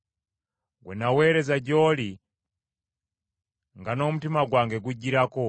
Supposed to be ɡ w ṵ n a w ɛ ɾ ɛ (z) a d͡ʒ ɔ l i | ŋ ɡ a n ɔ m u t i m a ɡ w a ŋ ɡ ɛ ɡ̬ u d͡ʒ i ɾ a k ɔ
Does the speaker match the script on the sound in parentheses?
yes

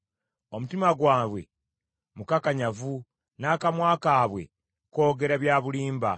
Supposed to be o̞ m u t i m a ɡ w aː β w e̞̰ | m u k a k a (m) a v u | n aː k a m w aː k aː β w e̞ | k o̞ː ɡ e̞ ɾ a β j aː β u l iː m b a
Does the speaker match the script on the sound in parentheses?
no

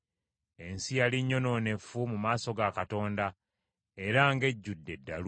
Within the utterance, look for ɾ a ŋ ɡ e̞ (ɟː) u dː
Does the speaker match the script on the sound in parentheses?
yes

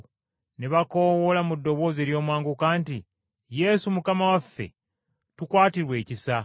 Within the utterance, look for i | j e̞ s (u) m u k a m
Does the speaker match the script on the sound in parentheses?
yes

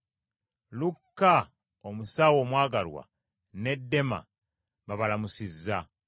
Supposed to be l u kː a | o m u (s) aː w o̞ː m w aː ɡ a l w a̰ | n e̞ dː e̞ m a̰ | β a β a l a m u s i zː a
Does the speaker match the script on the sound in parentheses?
yes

